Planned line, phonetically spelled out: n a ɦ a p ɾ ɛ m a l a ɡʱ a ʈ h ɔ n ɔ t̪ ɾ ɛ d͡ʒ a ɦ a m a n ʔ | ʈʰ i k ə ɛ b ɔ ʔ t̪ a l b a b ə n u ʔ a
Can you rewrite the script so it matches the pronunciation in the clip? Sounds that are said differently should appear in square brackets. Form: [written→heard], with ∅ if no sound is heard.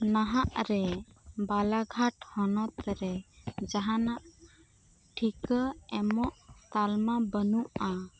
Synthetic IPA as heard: n a ɦ a [p→ʔ] ɾ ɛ [m→b] a l a ɡʱ a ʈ h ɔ n ɔ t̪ ɾ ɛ d͡ʒ a ɦ a [m→n] a [n→∅] ʔ | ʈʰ i k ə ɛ [b→m] ɔ ʔ t̪ a l [b→m] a b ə n u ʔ a